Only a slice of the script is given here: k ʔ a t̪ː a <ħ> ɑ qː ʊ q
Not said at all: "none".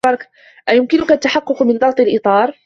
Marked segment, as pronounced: ħ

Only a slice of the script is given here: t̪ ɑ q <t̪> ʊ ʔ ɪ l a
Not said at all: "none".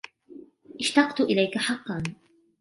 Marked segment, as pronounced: t̪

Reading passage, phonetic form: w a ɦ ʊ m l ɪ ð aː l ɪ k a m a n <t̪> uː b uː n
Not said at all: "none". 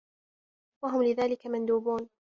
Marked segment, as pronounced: d̪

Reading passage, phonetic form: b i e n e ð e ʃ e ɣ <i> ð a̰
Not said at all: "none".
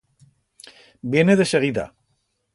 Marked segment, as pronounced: i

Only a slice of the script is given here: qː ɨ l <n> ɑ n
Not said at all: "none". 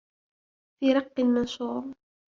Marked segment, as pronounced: m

